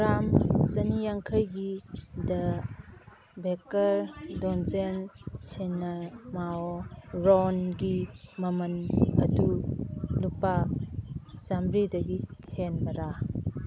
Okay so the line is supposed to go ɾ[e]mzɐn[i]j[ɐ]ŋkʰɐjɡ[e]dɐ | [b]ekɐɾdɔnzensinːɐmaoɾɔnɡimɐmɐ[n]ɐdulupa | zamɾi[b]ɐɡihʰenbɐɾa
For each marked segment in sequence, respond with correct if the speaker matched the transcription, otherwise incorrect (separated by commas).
incorrect, correct, incorrect, incorrect, correct, correct, incorrect